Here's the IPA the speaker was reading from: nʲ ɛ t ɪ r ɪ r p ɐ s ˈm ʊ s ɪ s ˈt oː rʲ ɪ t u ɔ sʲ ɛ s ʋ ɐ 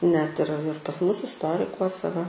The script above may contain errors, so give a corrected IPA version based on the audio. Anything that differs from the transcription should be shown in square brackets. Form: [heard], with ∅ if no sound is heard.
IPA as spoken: nʲ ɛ t ɪ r ɪ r p ɐ s ˈm ʊ s ɪ s ˈt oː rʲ ɪ [k] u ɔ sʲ ɛ [∅] ʋ ɐ